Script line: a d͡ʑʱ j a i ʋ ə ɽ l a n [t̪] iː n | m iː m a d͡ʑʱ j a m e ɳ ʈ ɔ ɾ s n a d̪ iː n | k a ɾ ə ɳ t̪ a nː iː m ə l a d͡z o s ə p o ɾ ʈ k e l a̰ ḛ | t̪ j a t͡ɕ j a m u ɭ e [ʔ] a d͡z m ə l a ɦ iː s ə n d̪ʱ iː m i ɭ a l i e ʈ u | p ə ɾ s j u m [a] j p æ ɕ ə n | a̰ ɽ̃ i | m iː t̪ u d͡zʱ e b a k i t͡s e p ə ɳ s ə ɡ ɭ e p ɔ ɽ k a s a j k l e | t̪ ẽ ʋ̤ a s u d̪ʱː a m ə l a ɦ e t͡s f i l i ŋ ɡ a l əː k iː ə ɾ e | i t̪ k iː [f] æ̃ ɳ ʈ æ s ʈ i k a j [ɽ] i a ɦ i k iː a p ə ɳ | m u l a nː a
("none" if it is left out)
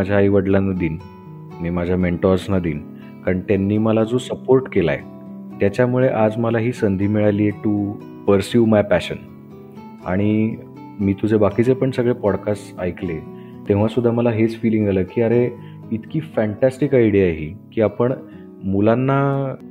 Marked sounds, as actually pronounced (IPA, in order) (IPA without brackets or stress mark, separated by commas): d̪, ʔ, a, f, ɽ